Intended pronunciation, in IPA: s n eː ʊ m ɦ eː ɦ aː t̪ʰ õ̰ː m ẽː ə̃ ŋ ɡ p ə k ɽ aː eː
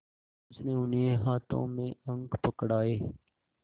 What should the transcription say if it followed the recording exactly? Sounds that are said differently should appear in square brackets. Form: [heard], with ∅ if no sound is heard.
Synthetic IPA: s n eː ʊ [n] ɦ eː ɦ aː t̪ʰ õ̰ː m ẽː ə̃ ŋ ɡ p ə k ɽ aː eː

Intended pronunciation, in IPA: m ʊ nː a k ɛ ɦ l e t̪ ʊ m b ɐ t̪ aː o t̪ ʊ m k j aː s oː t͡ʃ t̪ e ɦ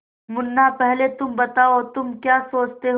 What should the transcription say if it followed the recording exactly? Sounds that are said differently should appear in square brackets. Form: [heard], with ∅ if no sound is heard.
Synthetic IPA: m ʊ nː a [p] ɛ ɦ l e t̪ ʊ m b ɐ t̪ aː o t̪ ʊ m k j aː s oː t͡ʃ t̪ e ɦ

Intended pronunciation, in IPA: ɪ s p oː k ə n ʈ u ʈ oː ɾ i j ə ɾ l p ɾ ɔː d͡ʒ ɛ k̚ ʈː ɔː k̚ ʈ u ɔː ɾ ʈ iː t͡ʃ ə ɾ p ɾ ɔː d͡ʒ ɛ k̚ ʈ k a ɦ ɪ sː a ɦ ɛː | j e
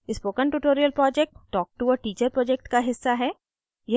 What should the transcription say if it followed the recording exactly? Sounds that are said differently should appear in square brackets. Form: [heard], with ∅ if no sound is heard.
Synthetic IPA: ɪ s p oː k ə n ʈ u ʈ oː ɾ i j ə [∅] l p ɾ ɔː d͡ʒ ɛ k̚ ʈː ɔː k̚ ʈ u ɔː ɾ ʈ iː t͡ʃ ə ɾ p ɾ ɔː d͡ʒ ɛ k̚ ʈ k a ɦ ɪ sː a ɦ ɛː | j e

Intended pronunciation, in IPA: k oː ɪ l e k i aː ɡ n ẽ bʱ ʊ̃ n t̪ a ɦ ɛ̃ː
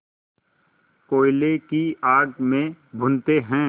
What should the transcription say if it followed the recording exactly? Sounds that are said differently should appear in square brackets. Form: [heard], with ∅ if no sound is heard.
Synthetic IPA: k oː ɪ l e k i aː ɡ [m] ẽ bʱ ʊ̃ n t̪ [e] ɦ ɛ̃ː

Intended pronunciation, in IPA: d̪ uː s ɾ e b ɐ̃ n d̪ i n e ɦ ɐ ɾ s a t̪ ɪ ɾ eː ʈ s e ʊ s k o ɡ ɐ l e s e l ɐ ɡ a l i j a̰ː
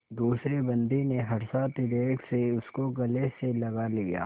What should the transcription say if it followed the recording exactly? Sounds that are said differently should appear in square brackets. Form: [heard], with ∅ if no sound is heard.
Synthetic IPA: d̪ uː s ɾ e b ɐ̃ n d̪ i n e ɦ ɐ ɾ s a t̪ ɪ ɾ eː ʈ s e ʊ s k o ɡ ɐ l e s e l ɐ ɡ a l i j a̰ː

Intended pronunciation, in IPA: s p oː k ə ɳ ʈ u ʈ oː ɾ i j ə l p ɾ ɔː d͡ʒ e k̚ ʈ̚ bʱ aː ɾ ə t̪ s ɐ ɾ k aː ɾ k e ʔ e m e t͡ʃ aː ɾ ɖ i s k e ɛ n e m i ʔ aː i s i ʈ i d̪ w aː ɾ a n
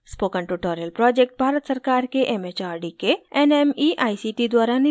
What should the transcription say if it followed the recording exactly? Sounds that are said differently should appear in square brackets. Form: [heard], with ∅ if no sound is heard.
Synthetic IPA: s p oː k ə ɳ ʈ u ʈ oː ɾ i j ə l p ɾ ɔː d͡ʒ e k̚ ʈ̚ bʱ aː ɾ ə t̪ s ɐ ɾ k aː ɾ k e ʔ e m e t͡ʃ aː ɾ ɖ i [∅] k e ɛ n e m i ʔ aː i s i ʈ i d̪ w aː ɾ a n

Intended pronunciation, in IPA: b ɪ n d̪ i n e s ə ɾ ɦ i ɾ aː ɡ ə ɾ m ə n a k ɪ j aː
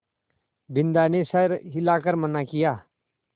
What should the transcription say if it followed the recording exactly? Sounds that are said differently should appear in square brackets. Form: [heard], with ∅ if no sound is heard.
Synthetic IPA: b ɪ n d̪ [a] n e s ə ɾ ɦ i [l] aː [k] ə ɾ m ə n a k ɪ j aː

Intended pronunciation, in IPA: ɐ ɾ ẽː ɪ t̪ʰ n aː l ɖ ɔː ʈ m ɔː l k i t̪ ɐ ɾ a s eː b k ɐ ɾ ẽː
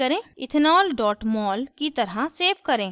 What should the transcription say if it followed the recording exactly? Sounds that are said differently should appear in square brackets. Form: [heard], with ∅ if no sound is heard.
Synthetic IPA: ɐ ɾ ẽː ɪ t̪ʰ n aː l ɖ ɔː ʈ m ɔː l k i t̪ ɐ ɾ a s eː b k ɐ ɾ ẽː

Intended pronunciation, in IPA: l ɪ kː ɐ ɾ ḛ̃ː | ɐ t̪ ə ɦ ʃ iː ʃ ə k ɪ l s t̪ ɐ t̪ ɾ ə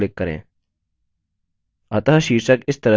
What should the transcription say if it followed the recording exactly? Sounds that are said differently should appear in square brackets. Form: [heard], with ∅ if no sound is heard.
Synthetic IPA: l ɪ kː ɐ ɾ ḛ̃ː | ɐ t̪ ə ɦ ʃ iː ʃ ə k ɪ [∅] s t̪ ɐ [∅] ɾ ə

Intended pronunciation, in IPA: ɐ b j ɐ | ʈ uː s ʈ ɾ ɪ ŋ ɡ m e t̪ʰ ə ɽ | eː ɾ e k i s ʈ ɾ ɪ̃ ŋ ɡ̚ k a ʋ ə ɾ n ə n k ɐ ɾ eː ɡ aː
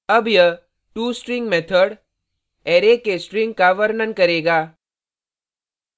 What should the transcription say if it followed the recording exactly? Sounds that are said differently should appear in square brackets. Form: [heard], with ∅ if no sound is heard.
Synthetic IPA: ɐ b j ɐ | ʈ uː s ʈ ɾ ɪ ŋ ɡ m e t̪ʰ ə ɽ | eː ɾ e k [e] s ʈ ɾ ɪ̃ ŋ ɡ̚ k a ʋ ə ɾ n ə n k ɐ ɾ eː ɡ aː

